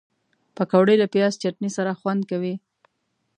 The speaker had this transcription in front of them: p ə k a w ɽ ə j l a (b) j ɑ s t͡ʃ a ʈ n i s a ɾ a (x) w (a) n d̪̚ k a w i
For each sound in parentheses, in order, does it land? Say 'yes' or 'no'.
no, yes, yes

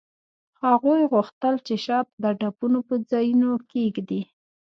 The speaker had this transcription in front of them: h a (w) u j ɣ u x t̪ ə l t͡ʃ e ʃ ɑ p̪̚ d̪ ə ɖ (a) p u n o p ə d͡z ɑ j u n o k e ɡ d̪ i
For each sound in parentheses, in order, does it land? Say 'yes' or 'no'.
no, yes

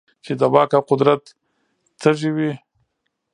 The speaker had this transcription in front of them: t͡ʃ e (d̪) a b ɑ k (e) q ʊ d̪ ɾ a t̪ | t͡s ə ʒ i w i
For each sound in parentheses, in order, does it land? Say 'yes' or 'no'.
yes, no

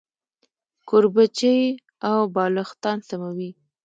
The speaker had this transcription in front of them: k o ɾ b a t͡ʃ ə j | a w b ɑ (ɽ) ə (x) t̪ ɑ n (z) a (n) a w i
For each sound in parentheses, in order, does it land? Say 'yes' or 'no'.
no, yes, no, no

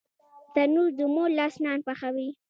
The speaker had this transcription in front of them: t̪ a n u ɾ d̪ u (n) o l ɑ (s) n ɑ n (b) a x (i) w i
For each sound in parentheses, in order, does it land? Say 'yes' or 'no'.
no, yes, no, no

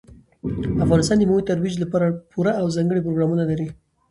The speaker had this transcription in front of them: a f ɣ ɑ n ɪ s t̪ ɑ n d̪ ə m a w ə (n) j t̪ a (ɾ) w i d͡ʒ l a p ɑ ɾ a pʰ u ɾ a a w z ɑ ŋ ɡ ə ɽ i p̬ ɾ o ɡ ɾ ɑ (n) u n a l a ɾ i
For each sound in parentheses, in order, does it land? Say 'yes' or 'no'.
no, yes, no

